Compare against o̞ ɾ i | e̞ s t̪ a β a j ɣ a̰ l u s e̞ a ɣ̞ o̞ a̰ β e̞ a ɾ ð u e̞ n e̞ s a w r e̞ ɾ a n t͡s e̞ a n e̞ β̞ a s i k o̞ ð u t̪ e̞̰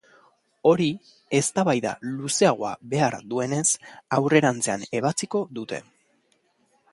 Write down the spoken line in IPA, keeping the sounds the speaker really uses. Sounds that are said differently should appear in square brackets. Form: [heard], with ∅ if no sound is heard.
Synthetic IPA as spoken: o̞ ɾ i | e̞ s t̪ a β a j [ð] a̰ l u s e̞ a ɣ̞ o̞ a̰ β e̞ a ɾ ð u e̞ n e̞ s a w r e̞ ɾ a n t͡s e̞ a n e̞ β̞ a [t͡s] i k o̞ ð u t̪ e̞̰